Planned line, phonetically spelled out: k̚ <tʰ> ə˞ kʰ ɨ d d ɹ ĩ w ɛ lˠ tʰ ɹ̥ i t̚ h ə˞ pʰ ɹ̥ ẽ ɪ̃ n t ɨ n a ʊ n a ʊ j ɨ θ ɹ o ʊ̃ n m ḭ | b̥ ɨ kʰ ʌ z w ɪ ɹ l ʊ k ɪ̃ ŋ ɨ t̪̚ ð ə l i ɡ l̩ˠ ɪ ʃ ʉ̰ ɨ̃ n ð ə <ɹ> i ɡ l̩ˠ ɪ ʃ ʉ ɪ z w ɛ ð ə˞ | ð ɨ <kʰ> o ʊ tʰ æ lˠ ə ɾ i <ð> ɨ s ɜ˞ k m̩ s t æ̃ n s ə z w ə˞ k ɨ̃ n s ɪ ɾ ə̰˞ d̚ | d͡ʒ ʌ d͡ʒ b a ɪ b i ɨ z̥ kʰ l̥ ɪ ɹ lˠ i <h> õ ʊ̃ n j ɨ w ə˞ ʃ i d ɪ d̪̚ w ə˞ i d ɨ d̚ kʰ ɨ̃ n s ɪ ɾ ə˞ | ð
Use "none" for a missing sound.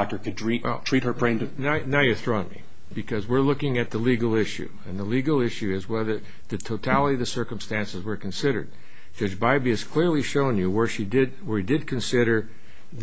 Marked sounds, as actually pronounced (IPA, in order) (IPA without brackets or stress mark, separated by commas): t, l, tʰ, ð, ʃ